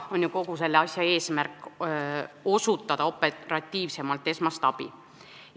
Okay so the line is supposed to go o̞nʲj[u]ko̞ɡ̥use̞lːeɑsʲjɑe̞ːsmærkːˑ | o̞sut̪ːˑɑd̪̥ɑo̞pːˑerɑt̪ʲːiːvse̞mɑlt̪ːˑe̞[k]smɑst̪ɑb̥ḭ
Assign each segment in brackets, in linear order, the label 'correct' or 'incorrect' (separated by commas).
correct, incorrect